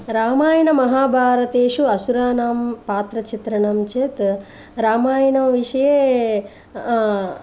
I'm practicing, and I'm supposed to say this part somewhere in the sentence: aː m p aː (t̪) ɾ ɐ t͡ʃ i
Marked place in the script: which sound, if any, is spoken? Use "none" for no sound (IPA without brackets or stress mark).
t̪